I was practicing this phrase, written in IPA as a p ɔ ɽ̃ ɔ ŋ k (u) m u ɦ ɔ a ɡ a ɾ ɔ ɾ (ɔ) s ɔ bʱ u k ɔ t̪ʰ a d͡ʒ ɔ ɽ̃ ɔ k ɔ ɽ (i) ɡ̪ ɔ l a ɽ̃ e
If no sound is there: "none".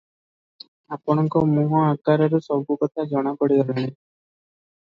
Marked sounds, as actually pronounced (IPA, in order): ɔ, u, i

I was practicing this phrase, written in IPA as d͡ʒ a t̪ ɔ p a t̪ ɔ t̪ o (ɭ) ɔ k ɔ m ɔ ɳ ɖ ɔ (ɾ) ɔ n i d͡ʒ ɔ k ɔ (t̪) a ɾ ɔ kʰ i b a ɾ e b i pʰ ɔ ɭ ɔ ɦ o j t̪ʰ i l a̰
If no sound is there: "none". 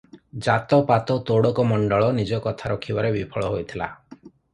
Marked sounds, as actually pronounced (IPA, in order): ɽ, ɭ, t̪ʰ

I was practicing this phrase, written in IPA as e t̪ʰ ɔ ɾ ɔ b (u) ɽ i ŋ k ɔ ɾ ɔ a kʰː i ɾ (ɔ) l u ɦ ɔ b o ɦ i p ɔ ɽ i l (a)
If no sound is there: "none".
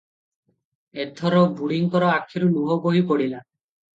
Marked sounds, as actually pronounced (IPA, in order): u, u, a

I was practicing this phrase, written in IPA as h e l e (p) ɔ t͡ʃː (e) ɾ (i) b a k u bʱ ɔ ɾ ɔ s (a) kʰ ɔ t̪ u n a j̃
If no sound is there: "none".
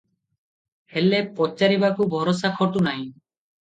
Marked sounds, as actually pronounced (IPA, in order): p, a, i, a

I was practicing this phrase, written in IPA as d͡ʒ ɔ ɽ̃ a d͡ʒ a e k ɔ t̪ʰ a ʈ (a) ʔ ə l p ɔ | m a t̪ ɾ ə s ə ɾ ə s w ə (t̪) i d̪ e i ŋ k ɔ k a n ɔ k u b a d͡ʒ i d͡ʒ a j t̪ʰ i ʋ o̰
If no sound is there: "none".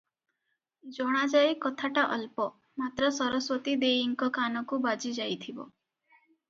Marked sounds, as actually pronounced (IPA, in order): a, t̪

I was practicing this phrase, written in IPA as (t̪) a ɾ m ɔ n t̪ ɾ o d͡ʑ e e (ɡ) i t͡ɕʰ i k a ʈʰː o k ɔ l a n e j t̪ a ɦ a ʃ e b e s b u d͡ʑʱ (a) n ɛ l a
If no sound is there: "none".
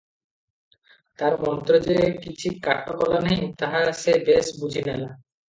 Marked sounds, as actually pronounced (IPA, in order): t̪, k, i

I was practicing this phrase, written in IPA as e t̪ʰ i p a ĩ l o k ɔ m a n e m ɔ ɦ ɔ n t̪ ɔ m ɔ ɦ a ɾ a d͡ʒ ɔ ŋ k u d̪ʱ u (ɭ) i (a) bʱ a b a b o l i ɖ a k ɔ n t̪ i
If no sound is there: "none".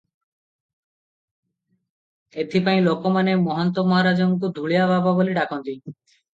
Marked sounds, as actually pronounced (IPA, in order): ɭ, a

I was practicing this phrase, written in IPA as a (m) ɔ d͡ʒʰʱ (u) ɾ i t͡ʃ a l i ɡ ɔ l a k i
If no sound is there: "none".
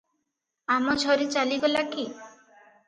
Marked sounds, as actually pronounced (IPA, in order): m, ɔ

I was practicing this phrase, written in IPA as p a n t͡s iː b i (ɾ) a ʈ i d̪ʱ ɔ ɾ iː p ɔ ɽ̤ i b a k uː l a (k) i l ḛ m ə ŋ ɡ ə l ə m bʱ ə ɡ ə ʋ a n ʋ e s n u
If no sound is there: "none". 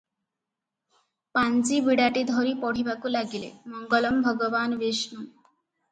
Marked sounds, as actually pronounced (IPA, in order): ɽ, ɡ

